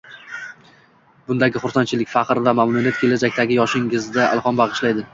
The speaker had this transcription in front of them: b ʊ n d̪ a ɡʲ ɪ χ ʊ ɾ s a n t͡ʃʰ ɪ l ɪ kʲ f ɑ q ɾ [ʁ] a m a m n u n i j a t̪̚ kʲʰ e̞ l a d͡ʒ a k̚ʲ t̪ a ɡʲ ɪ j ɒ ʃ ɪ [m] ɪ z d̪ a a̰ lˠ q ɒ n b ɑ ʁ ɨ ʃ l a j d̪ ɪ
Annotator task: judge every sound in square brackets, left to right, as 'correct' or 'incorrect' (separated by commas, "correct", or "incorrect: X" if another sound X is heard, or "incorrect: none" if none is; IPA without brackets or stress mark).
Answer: incorrect: v, incorrect: ŋ